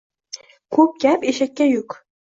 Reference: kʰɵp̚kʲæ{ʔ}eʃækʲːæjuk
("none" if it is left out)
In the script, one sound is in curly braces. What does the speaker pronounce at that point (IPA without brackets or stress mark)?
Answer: p